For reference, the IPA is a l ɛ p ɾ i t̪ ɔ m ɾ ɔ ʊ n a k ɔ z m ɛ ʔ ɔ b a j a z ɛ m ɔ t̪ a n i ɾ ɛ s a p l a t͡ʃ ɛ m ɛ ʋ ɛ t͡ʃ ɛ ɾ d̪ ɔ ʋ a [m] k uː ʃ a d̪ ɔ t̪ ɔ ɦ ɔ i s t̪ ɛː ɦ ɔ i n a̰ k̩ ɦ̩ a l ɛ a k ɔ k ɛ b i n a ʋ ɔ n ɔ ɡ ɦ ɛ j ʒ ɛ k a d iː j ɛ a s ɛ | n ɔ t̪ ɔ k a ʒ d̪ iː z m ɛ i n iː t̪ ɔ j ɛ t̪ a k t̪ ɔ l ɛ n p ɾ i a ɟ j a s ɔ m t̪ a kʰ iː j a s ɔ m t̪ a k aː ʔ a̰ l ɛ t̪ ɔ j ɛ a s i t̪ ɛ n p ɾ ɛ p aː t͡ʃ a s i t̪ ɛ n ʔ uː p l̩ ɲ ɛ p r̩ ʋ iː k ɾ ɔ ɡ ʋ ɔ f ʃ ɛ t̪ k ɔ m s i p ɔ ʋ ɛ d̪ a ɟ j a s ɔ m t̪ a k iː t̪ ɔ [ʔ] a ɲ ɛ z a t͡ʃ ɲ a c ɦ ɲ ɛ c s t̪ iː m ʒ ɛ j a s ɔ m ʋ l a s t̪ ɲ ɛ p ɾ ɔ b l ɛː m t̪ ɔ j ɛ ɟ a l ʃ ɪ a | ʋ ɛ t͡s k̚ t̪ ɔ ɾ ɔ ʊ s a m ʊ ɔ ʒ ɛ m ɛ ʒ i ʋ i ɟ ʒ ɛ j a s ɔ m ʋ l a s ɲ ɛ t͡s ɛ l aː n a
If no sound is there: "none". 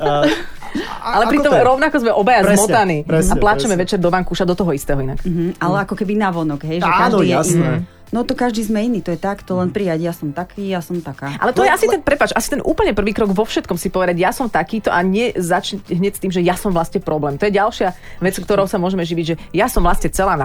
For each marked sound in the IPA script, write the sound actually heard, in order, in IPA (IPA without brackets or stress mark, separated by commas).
ŋ, ʔ